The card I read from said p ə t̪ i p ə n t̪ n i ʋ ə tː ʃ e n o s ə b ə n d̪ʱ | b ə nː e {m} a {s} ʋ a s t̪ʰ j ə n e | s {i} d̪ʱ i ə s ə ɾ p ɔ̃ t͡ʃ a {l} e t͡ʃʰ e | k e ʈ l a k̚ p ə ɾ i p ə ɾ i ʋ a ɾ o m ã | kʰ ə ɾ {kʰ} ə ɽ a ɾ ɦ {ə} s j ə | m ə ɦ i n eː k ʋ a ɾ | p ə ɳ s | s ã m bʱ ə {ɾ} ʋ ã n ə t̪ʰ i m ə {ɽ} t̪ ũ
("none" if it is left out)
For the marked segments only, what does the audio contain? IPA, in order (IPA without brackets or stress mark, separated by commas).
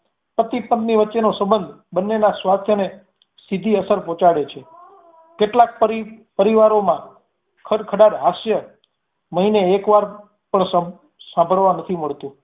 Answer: n, s, i, ɽ, kʰ, a, ɭ, ɭ